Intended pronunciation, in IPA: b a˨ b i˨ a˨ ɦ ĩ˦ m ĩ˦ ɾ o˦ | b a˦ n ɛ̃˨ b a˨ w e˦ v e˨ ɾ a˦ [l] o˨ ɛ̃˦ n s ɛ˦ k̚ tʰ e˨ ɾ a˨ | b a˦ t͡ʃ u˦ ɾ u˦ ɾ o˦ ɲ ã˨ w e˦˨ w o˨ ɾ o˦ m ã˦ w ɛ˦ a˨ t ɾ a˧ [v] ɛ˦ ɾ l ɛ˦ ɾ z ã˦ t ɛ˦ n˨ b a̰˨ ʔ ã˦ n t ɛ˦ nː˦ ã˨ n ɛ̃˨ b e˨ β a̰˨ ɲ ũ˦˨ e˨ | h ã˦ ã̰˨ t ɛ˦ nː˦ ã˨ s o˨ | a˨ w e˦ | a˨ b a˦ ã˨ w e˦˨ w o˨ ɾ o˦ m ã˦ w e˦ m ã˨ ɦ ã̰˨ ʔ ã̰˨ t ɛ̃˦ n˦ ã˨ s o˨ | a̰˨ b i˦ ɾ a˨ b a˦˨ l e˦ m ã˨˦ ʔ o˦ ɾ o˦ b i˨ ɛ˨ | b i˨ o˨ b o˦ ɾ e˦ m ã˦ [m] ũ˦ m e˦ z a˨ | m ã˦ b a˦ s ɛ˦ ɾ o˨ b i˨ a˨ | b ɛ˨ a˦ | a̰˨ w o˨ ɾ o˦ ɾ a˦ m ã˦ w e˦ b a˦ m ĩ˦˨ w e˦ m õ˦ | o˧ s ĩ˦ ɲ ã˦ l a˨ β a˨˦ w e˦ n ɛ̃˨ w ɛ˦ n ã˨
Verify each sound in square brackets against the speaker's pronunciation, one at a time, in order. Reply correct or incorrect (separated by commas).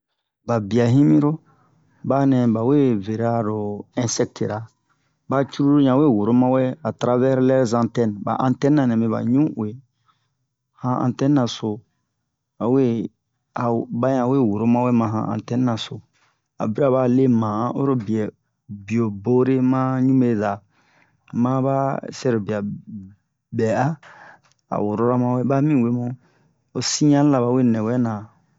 incorrect, correct, incorrect